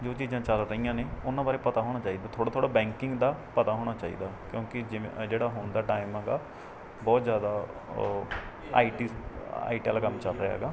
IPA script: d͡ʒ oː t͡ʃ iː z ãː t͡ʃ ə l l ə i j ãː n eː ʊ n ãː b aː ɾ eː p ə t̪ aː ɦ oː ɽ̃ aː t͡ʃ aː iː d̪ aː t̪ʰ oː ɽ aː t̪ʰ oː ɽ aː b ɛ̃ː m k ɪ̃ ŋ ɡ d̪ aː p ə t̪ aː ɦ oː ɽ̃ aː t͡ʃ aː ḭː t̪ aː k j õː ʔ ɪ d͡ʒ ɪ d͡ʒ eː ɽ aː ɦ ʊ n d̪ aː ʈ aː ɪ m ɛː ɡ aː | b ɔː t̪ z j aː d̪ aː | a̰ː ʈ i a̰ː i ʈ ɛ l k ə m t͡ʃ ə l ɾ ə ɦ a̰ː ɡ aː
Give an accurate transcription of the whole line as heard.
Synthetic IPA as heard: d͡ʒ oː t͡ʃ iː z ãː t͡ʃ ə l ɾ ə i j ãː n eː ʊ n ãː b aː ɾ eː p ə t̪ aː ɦ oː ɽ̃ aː t͡ʃ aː iː d̪ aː t̪ʰ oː ɽ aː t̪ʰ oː ɽ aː b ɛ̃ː ŋ k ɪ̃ ŋ ɡ d̪ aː p ə t̪ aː ɦ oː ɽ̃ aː t͡ʃ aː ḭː d̪ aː k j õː k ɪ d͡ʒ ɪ d͡ʒ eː ɽ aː ɦ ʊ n d̪ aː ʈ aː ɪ m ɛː ɡ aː | b ɔː t̪ z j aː d̪ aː | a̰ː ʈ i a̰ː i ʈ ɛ l k ə m t͡ʃ ə l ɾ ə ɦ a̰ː ɡ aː

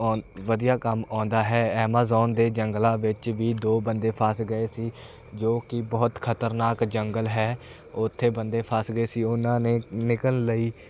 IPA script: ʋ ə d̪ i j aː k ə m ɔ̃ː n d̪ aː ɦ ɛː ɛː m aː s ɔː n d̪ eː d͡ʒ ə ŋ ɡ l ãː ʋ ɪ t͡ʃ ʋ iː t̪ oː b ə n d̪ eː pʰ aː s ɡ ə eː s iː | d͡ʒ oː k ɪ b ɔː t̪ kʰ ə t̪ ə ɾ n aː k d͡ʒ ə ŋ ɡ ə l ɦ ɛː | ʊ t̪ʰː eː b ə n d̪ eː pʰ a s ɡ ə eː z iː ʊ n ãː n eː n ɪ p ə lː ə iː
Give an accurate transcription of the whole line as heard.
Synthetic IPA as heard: ʋ ə d̪ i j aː k ə m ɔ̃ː n d̪ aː ɦ ɛː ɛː m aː z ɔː n d̪ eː d͡ʒ ə ŋ ɡ l ãː ʋ ɪ t͡ʃ ʋ iː d̪ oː b ə n d̪ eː pʰ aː s ɡ ə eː s iː | d͡ʒ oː k ɪ b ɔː t̪ kʰ ə t̪ ə ɾ n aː k d͡ʒ ə ŋ ɡ ə l ɦ ɛː | ʊ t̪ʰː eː b ə n d̪ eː pʰ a s ɡ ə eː s iː ʊ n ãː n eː n ɪ k ə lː ə iː

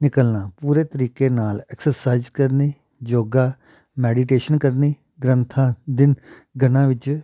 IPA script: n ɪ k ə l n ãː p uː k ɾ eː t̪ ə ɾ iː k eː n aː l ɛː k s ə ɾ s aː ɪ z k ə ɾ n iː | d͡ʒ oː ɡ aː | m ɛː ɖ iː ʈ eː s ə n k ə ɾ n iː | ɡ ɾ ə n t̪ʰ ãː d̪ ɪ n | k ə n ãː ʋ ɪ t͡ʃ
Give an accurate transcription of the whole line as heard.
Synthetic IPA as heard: n ɪ k ə l n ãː p uː ɾ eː t̪ ə ɾ iː k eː n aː l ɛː k s ə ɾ s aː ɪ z k ə ɾ n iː | d͡ʒ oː ɡ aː | m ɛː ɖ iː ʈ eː ʃ ə n k ə ɾ n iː | ɡ ɾ ə n t̪ʰ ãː d̪ ɪ n | ɡ ə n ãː ʋ ɪ t͡ʃ

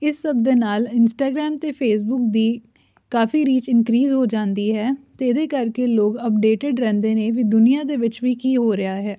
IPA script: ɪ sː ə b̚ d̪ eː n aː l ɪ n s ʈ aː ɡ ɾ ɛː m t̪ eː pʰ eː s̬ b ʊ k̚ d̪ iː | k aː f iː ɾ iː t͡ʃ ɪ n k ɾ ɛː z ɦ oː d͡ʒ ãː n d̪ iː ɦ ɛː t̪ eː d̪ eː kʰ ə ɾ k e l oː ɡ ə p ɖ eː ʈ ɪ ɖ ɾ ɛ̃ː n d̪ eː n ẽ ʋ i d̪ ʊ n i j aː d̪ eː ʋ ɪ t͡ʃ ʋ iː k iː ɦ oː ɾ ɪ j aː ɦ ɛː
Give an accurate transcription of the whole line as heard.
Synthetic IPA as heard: ɪ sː ə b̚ d̪ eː n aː l ɪ n s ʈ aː ɡ ɾ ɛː m t̪ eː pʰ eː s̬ b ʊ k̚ d̪ iː | k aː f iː ɾ iː t͡ʃ ɪ n k ɾ iː z ɦ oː d͡ʒ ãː n d̪ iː ɦ ɛː t̪ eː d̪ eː k ə ɾ k e l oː ɡ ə p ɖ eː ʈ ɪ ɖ ɾ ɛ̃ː n d̪ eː n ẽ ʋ i d̪ ʊ n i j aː d̪ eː ʋ ɪ t͡ʃ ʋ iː k iː ɦ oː ɾ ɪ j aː ɦ ɛː

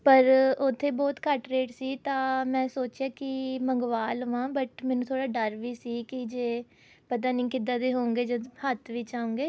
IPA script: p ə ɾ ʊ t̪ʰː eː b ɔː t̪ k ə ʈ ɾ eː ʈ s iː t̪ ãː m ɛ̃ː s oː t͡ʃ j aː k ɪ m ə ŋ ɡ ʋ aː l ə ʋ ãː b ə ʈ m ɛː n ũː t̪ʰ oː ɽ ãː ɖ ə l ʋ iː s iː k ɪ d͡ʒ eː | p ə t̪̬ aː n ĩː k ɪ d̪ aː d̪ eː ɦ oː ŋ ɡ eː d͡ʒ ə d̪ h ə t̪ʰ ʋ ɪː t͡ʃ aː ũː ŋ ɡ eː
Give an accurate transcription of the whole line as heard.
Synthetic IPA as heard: p ə ɾ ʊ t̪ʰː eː b ɔː t̪ k ə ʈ ɾ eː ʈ s iː t̪ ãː m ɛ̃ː s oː t͡ʃ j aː k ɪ m ə ŋ ɡ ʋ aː l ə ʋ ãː b ə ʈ m ɛː n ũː t̪ʰ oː ɽ aː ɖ ə ɾ ʋ iː s iː k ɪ d͡ʒ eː | p ə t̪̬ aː n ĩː k ɪ d̪ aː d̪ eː ɦ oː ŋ ɡ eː d͡ʒ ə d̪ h ə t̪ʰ ʋ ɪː t͡ʃ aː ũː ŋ ɡ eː

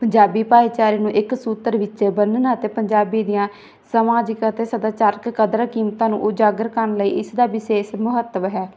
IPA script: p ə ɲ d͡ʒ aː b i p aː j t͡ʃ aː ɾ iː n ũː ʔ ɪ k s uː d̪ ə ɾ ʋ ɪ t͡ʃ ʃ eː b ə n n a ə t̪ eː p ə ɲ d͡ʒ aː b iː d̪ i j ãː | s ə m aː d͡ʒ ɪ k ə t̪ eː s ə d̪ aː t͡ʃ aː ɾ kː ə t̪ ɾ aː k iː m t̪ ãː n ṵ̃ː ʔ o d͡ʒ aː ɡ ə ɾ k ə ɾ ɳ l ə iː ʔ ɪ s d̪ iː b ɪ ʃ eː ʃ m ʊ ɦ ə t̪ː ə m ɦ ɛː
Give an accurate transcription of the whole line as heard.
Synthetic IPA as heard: p ə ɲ d͡ʒ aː b iː p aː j t͡ʃ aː ɾ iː n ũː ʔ ɪ k s uː t̪ ə ɾ ʋ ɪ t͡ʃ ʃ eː b ə n n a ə t̪ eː p ə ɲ d͡ʒ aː b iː d̪ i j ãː | s ə m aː d͡ʒ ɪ k ə t̪ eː s ə d̪ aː t͡ʃ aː ɾ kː ə d̪ ɾ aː k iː m t̪ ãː n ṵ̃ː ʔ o d͡ʒ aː ɡ ə ɾ k ə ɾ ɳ l ə iː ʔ ɪ s d̪ aː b ɪ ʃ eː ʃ m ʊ ɦ ə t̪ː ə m ɦ ɛː

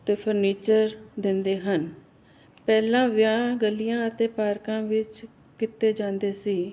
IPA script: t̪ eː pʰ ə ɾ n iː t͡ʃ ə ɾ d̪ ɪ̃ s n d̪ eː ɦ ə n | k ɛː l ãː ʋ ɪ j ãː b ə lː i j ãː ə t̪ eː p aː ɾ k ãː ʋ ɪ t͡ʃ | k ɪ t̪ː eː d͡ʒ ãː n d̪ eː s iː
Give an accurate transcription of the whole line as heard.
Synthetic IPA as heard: t̪ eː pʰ ə ɾ n iː t͡ʃ ə ɾ d̪ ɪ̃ n d̪ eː ɦ ə n | p ɛː l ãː ʋ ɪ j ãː ɡ ə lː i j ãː ə t̪ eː p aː ɾ k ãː ʋ ɪ t͡ʃ | k ɪ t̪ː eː d͡ʒ ãː n d̪ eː s iː

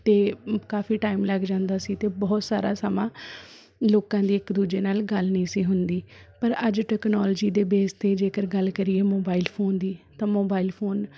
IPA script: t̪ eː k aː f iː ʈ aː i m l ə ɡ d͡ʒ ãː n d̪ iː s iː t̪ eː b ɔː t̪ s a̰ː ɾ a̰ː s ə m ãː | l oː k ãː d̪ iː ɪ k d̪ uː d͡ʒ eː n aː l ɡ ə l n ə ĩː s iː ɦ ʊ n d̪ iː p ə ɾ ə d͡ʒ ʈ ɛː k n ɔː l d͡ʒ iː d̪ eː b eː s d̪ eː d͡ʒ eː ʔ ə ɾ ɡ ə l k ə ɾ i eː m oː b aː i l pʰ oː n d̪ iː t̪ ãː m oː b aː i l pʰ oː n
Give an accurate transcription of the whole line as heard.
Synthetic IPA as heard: t̪ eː k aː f iː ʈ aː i m l ə ɡ d͡ʒ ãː n d̪ aː s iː t̪ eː b ɔː t̪ s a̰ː ɾ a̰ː s ə m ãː | l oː k ãː d̪ iː ɪ k d̪ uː d͡ʒ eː n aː l ɡ ə l n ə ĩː s iː ɦ ʊ n d̪ iː p ə ɾ ə d͡ʒ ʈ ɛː k n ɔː l d͡ʒ iː d̪ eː b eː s t̪ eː d͡ʒ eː k ə ɾ ɡ ə l k ə ɾ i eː m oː b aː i l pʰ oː n d̪ iː t̪ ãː m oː b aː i l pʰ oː n

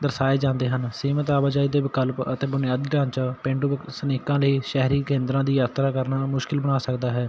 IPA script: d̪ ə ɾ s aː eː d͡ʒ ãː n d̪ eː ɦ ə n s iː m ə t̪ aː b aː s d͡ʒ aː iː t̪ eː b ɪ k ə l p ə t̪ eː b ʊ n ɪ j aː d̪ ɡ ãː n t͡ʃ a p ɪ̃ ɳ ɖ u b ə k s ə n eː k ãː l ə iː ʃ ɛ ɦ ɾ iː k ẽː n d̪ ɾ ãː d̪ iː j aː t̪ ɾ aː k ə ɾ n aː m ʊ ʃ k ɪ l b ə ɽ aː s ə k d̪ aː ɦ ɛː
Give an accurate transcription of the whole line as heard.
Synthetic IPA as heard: d̪ ə ɾ s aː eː d͡ʒ ãː n d̪ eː ɦ ə n s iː m ə t̪ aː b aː d͡ʒ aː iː d̪ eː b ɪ k ə l p ə t̪ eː b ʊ n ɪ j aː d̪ ɡ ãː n t͡ʃ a p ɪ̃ ɳ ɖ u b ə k s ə n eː k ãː l ə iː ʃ ɛ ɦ ɾ iː k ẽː n d̪ ɾ ãː d̪ iː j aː t̪ ɾ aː k ə ɾ n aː m ʊ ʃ k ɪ l b ə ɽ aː s ə k d̪ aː ɦ ɛː

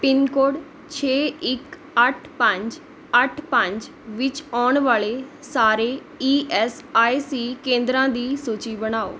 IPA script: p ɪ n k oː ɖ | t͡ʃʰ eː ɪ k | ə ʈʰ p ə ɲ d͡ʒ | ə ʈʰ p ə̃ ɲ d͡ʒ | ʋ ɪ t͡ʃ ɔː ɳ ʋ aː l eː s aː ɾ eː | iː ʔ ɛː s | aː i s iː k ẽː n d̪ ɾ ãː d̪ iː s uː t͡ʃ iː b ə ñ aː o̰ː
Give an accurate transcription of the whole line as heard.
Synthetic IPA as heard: p ɪ n k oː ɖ | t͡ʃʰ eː ɪ k | ə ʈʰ p ə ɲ d͡ʒ | ə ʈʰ p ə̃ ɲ d͡ʒ | ʋ ɪ t͡ʃ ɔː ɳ ʋ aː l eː s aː ɾ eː | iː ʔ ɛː s | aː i s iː k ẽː n d̪ ɾ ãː d̪ iː s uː t͡ʃ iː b ə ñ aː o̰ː

